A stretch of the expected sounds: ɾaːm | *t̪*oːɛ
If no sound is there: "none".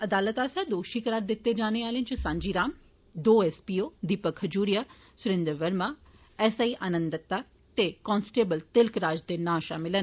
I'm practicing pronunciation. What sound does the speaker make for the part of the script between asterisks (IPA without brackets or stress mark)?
d̪